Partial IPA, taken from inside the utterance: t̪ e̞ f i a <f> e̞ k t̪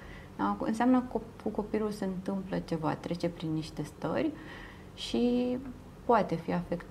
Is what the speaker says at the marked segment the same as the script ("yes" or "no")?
yes